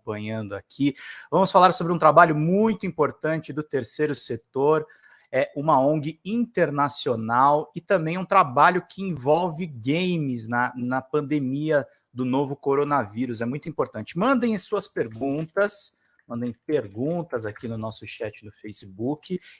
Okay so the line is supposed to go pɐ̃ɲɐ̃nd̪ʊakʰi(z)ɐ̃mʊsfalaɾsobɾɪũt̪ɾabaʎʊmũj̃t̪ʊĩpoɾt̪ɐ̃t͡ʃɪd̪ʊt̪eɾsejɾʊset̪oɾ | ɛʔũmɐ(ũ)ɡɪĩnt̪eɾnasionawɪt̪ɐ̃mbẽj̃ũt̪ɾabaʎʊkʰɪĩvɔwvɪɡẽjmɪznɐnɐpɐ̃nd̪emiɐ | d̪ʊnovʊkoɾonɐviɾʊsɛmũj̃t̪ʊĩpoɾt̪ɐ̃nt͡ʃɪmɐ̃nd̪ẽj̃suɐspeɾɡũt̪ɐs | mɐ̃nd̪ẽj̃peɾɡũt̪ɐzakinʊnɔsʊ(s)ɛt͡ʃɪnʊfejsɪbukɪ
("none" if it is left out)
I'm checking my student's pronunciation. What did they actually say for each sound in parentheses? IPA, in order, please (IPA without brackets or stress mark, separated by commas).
v, õ, ʃ